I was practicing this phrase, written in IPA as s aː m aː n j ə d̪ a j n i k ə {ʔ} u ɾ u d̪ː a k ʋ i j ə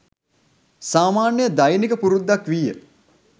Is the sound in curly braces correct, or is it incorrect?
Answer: incorrect